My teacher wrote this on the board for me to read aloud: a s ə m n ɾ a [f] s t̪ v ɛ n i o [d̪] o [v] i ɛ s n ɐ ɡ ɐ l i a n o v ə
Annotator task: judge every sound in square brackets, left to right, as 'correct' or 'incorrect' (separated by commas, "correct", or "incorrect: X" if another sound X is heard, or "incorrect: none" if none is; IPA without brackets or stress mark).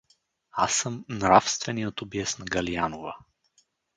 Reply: correct, incorrect: t̪, incorrect: b